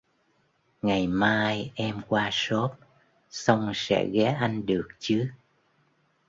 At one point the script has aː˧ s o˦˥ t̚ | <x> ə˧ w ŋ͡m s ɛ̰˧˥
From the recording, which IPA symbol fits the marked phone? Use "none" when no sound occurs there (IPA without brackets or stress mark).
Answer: s